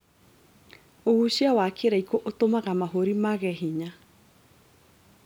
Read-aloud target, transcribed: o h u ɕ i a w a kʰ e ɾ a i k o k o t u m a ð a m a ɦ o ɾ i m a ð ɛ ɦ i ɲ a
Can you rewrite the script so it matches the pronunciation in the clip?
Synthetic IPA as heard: o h u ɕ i a w a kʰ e ɾ a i k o ʔ o t o m a ɣ a m a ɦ o ɾ i m a ɣ ɛ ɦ i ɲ a